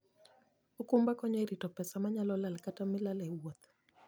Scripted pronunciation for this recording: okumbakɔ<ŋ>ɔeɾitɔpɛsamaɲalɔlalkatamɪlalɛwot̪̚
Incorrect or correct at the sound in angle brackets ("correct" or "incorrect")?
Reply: incorrect